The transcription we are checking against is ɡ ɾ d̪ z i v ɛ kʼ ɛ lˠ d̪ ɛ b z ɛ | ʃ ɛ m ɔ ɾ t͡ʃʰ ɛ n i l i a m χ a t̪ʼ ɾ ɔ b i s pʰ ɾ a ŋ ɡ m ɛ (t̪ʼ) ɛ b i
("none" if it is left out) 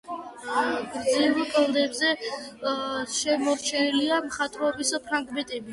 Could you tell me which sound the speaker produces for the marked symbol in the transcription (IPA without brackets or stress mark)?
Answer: t̪ʼ